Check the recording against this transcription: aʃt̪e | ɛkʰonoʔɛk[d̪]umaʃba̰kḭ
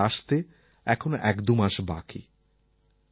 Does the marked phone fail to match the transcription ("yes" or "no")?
no